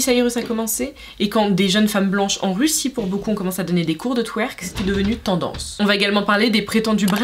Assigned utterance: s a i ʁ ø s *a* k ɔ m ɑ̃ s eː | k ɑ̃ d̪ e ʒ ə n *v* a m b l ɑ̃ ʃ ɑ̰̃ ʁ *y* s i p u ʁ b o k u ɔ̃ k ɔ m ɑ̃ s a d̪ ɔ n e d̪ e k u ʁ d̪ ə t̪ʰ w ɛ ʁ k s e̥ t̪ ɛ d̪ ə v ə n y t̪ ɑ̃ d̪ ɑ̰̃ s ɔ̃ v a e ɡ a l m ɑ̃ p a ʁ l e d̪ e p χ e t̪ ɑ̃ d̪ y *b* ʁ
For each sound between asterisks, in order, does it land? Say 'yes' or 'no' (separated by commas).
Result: yes, no, yes, yes